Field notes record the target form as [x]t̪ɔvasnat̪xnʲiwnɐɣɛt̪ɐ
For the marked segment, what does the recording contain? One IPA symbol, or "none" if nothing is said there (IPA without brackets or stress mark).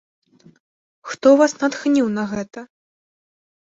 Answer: x